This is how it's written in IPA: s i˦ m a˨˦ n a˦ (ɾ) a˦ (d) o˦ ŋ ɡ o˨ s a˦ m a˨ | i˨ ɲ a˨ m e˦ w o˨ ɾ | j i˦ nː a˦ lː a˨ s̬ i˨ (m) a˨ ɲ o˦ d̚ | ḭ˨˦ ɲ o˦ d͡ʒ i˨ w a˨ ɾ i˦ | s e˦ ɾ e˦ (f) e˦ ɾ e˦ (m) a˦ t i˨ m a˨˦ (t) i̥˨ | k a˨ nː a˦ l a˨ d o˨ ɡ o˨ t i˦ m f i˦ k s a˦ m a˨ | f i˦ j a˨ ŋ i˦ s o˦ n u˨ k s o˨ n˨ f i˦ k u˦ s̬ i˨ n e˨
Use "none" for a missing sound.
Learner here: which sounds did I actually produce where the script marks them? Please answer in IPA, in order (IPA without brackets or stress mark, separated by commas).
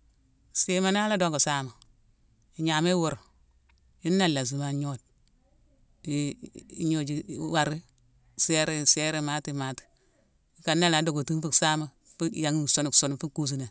l, d, m, s, m, t